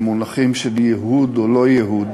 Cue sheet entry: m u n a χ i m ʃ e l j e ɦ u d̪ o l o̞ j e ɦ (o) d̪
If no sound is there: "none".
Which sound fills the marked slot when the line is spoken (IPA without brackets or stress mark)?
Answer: u